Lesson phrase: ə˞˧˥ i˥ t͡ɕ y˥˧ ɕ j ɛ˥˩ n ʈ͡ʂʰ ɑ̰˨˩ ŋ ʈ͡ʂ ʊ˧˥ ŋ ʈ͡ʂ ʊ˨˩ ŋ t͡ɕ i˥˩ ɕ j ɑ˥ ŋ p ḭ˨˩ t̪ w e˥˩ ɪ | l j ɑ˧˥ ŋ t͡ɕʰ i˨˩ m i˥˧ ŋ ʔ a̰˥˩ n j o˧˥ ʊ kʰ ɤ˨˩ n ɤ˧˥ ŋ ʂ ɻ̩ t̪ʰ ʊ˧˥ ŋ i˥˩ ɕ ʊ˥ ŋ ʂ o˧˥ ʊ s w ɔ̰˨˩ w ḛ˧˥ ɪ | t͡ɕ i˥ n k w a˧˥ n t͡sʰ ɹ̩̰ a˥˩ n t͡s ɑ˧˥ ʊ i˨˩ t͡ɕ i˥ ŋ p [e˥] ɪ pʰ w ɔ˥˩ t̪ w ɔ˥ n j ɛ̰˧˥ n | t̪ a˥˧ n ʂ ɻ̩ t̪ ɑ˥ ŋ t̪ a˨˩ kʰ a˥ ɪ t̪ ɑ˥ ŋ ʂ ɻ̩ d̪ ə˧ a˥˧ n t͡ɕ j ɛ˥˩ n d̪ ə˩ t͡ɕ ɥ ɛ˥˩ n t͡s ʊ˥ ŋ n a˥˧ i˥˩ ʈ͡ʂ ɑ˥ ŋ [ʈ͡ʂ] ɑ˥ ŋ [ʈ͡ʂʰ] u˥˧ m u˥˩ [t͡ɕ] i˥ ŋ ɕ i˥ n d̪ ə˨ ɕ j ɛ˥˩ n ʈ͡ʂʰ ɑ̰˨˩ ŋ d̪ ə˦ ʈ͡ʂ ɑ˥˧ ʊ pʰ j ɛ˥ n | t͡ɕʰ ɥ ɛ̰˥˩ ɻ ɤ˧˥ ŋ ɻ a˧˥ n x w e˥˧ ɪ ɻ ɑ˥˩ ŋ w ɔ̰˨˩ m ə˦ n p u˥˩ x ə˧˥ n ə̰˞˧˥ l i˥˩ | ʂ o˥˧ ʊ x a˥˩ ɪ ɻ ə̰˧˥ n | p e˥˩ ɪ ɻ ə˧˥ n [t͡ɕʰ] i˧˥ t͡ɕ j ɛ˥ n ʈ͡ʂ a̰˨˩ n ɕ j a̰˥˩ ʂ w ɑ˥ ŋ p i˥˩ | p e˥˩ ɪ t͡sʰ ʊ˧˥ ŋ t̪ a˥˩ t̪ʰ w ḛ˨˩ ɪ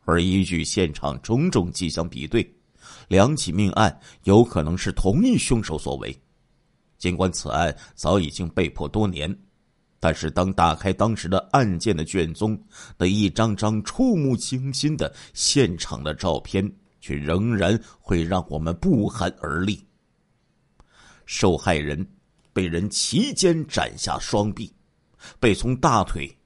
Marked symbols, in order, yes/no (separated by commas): no, yes, yes, no, yes